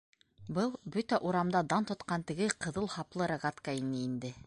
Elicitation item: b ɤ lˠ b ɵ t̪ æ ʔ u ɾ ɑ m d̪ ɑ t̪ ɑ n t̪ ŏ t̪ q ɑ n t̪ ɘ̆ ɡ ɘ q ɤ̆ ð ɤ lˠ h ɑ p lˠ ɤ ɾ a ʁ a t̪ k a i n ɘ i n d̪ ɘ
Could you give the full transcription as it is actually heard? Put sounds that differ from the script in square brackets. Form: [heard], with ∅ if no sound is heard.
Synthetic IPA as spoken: b ɤ lˠ b ɵ t̪ æ ʔ u ɾ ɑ m d̪ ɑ [d̪] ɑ n t̪ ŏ t̪ q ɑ n t̪ ɘ̆ ɡ ɘ q ɤ̆ ð ɤ lˠ h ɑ p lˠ ɤ ɾ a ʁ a t̪ k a i n ɘ i n d̪ ɘ